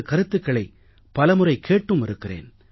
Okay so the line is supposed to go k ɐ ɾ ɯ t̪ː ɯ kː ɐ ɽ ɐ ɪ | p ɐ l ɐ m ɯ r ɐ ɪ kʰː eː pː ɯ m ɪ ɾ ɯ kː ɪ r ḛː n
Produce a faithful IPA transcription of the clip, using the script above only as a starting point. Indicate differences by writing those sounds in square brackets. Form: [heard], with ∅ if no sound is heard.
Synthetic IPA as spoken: k ɐ ɾ ɯ t̪ː ɯ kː ɐ [ɭ] ɐ ɪ | p ɐ l ɐ m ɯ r ɐ ɪ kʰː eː [ʈː] ɯ m ɪ ɾ ɯ kː ɪ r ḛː n